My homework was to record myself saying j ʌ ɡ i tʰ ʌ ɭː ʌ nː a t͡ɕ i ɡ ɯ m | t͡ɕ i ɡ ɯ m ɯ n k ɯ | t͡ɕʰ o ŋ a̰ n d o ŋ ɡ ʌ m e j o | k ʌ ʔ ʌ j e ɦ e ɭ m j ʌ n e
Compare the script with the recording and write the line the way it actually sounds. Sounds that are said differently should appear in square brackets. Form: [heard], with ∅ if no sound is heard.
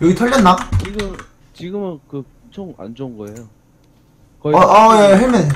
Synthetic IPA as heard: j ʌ ɡ i tʰ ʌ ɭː ʌ nː a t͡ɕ i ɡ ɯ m | t͡ɕ i ɡ ɯ m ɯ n k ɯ | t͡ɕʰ o ŋ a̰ n [d͡ʑ] o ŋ ɡ ʌ [∅] e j o | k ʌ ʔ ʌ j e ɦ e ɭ m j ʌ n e